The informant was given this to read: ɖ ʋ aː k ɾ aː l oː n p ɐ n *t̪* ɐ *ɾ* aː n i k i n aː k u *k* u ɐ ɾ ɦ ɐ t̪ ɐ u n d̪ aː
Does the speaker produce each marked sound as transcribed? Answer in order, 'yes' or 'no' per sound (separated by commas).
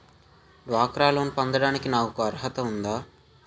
no, no, yes